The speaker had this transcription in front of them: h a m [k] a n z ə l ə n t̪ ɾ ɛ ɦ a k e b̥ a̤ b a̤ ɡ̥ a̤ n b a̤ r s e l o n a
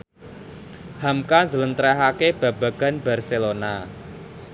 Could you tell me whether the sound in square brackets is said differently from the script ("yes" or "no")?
no